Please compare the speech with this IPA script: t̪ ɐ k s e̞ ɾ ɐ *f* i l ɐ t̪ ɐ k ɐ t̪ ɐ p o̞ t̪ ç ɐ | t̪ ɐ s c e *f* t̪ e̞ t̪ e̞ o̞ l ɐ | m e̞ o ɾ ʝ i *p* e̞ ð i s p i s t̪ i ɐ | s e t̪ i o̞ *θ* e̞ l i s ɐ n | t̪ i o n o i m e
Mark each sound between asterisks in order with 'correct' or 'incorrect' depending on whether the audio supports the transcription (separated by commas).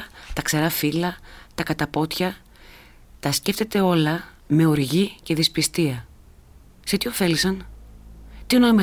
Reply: correct, correct, incorrect, incorrect